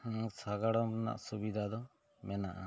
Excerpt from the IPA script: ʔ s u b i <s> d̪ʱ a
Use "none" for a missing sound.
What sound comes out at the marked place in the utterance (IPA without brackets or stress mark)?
none